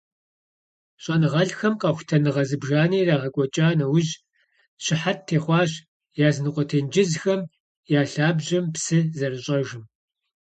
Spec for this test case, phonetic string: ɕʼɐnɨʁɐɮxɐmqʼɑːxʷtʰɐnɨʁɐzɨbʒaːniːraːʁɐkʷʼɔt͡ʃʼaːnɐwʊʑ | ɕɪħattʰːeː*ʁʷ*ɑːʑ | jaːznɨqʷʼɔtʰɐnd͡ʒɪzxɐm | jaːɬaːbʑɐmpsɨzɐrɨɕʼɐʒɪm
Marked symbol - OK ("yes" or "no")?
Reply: no